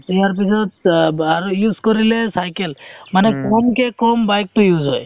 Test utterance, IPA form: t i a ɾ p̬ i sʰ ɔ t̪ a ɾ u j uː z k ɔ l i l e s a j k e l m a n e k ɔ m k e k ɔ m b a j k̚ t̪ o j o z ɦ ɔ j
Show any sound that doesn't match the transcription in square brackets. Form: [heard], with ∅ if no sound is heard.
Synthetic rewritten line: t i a ɾ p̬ i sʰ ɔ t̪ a ɾ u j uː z k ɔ [ɾ] i l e s a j k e l m a n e k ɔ m k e k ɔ m b a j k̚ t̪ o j [u] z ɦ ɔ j